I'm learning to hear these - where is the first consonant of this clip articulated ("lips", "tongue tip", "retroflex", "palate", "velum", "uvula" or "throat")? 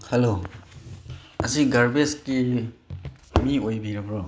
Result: throat